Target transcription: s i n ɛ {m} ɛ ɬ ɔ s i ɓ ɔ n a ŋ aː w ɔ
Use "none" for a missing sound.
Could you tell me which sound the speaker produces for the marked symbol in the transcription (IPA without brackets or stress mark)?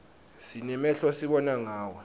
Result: m